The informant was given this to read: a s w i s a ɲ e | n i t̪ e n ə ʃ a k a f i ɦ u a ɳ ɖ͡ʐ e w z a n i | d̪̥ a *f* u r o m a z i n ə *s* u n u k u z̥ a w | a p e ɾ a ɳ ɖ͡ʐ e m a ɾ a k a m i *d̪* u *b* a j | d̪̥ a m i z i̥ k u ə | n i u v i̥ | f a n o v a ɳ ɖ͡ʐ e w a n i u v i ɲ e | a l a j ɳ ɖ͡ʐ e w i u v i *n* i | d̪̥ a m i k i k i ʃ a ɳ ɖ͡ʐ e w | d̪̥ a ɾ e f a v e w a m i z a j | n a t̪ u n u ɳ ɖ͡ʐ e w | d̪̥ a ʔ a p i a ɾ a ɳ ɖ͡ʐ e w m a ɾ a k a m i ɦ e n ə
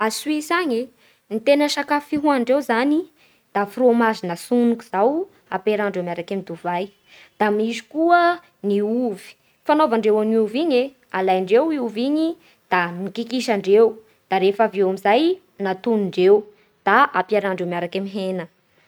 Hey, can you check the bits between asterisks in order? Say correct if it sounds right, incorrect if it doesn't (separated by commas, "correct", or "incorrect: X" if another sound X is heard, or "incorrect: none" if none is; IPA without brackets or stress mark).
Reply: correct, correct, correct, incorrect: v, incorrect: ɲ